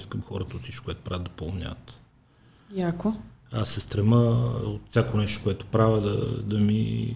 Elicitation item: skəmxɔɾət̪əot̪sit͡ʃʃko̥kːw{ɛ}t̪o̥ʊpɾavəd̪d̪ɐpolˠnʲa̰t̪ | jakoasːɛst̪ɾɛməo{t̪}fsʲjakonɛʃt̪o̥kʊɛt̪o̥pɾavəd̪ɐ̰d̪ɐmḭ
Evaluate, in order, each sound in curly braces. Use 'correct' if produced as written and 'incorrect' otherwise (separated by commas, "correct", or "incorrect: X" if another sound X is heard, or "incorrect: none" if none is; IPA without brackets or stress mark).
correct, correct